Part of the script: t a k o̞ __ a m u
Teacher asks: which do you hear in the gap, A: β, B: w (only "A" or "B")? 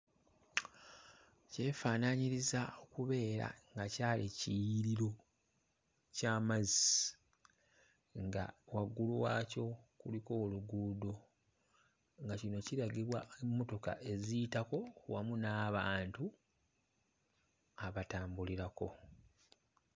B